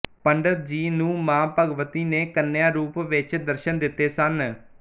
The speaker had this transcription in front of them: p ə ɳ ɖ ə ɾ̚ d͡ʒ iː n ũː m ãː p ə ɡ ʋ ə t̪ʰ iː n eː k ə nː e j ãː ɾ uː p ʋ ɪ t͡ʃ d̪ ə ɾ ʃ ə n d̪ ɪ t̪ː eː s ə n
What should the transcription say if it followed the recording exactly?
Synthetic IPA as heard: p ə ɳ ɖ ə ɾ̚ d͡ʒ iː n ũː m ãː p ə ɡ ʋ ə t̪ iː n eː k ə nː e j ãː ɾ uː p ʋ ɪ t͡ʃ d̪ ə ɾ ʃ ə n d̪ ɪ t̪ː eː s ə n